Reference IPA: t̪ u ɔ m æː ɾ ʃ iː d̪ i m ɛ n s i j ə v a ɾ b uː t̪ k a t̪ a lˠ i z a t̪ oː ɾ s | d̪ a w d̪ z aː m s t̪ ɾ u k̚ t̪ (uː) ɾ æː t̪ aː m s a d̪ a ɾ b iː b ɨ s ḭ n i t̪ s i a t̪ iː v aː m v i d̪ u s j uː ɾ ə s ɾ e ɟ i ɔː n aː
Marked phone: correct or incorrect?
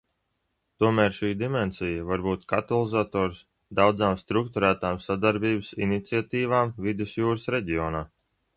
incorrect